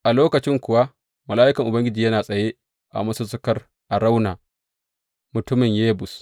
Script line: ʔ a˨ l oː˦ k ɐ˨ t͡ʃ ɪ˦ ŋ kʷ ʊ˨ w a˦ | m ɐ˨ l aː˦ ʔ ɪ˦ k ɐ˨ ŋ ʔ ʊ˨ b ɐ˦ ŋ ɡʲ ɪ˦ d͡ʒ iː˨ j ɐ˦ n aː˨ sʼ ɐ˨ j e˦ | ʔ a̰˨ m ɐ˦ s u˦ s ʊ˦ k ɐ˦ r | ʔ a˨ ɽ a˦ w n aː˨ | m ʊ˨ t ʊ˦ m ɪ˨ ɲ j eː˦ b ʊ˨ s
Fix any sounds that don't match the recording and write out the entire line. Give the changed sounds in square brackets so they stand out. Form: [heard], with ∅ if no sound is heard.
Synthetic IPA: ʔ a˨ l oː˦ k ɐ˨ t͡ʃ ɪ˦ ŋ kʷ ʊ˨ w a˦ | m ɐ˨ l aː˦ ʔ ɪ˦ k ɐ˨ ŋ ʔ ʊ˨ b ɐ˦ ŋ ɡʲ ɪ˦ d͡ʒ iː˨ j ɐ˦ n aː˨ sʼ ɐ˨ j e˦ | ʔ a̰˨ m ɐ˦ s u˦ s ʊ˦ k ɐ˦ r | ʔ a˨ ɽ a˦ w n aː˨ | m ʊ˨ t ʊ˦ m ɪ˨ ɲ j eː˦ b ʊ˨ s

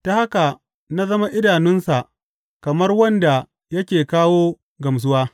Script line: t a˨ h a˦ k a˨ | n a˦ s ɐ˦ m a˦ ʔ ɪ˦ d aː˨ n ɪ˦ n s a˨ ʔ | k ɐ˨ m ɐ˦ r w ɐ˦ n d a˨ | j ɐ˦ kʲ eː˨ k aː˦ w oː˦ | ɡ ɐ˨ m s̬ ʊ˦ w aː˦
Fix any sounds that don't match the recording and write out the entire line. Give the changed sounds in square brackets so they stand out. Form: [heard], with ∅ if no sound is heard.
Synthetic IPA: t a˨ h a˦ k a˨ | n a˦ [z] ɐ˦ m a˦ ʔ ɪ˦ d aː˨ n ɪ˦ n s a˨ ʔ | k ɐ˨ m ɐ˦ r w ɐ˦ n d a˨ | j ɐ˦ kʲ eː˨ k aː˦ w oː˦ | ɡ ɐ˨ m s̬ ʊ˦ w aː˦

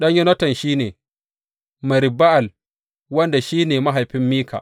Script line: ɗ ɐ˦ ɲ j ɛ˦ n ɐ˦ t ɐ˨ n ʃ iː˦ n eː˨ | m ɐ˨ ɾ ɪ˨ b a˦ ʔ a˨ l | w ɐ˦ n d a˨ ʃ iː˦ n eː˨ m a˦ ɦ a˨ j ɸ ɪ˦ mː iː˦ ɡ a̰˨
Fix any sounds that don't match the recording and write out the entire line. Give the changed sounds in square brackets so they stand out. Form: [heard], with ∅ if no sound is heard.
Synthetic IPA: ɗ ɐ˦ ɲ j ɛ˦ n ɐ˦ t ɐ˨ n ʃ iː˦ n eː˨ | m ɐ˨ ɾ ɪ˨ b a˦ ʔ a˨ l | w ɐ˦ n d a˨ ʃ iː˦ n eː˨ m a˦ ɦ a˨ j ɸ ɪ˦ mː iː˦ [k] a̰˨

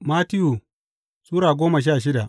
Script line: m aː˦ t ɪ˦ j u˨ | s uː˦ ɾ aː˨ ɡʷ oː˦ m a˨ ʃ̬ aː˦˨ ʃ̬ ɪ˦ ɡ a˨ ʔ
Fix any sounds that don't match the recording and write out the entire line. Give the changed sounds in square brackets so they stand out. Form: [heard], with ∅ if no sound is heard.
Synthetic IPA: m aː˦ t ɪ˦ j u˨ | s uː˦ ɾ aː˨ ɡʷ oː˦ m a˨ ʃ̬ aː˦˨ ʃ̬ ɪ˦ [d] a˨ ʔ

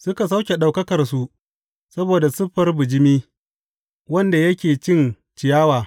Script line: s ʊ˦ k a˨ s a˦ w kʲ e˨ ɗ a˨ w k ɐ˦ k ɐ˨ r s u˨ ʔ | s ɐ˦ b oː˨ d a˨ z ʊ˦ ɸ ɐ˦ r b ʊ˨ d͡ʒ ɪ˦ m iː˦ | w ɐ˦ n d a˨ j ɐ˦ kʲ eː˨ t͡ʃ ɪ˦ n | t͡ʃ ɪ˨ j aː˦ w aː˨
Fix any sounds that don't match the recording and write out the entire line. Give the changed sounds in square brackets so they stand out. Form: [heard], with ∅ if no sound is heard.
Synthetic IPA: s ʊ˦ k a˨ s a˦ w kʲ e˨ ɗ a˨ w k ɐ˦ k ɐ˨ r s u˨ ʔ | s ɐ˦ b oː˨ d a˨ [s] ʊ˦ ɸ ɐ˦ r b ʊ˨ d͡ʒ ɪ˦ m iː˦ | w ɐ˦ n d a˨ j ɐ˦ kʲ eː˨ t͡ʃ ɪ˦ n | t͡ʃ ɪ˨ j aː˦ w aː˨

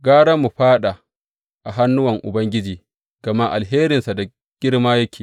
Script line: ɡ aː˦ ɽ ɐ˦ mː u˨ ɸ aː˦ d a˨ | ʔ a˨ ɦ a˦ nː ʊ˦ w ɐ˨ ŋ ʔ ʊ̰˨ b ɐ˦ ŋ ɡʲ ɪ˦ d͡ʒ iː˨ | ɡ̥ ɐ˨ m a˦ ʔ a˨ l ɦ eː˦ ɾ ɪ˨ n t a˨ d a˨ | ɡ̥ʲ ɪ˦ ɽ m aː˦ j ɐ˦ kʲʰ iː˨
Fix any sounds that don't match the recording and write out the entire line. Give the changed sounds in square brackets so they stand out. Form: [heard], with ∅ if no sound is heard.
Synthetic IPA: ɡ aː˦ ɽ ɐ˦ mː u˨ ɸ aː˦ [ɗ] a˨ | ʔ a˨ ɦ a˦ nː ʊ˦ w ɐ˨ ŋ ʔ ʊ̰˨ b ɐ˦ ŋ ɡʲ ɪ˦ d͡ʒ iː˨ | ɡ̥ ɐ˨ m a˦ ʔ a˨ l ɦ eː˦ ɾ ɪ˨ n [s] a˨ d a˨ | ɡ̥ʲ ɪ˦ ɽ m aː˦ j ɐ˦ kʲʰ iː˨

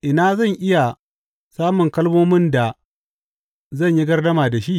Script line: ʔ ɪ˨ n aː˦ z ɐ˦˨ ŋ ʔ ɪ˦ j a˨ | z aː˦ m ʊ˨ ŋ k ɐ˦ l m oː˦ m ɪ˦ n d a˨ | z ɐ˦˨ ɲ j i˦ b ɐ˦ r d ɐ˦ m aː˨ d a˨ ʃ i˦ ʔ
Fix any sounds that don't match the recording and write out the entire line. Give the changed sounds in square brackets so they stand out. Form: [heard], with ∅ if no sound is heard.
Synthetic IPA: ʔ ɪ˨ n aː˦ z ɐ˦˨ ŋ ʔ ɪ˦ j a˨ | [s] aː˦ m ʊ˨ ŋ k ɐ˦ l m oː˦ m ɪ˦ n d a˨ | z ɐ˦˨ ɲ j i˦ [ɡ] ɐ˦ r d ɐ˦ m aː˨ d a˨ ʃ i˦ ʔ

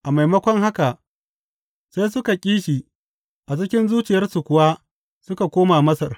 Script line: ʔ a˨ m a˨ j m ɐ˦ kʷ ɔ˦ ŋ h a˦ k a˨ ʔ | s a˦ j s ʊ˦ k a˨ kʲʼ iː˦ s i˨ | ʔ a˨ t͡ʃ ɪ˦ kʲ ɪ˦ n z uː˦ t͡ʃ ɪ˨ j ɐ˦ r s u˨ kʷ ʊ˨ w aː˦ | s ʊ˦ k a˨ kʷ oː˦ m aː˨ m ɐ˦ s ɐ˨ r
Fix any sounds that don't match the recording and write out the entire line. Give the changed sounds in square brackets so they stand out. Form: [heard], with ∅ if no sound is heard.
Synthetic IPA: ʔ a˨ m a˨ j m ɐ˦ kʷ ɔ˦ ŋ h a˦ k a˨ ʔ | s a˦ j s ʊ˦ k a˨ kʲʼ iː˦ [ʃ] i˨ | ʔ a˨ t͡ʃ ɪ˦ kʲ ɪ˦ n z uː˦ t͡ʃ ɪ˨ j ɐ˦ r s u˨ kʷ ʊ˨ w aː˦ | s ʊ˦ k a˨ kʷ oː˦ m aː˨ m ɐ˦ s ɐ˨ r

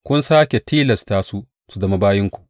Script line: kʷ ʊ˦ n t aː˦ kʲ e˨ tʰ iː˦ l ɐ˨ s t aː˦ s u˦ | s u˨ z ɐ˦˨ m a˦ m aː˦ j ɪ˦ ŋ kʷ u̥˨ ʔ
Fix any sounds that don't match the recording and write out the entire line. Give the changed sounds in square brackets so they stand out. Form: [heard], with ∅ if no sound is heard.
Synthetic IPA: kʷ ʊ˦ n [s] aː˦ kʲ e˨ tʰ iː˦ l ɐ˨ s t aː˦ s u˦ | s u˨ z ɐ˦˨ m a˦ [b] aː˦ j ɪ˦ ŋ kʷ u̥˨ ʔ

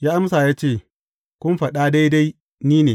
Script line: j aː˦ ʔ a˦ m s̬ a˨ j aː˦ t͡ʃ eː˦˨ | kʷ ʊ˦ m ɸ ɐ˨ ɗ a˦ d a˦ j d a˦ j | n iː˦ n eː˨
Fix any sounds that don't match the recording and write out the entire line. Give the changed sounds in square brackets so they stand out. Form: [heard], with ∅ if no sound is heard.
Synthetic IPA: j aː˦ ʔ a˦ m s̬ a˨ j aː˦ t͡ʃ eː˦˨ | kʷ ʊ˦ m ɸ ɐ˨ ɗ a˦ d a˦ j d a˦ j | n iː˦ n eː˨

